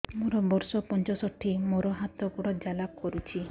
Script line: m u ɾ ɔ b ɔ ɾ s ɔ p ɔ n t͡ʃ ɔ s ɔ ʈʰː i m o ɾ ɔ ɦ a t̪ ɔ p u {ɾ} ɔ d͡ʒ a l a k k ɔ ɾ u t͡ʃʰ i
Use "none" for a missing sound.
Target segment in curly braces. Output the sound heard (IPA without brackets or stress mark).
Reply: ɽ